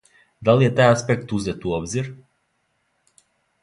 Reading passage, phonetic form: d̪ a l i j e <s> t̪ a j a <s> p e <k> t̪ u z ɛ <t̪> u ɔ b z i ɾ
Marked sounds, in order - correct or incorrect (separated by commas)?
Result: incorrect, correct, correct, correct